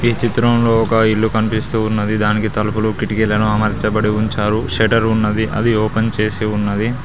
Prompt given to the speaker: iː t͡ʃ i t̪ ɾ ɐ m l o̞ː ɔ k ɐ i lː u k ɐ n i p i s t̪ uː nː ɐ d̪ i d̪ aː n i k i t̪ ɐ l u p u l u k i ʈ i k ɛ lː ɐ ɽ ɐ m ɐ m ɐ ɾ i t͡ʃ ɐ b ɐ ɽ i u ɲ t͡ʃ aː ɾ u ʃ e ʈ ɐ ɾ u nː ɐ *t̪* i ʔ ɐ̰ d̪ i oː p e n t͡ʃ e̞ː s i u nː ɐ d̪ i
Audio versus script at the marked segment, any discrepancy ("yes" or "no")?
yes